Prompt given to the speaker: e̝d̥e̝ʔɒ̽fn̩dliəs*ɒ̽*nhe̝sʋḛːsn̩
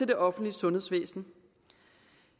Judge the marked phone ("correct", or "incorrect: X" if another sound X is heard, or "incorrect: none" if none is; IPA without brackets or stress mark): incorrect: ɔ̽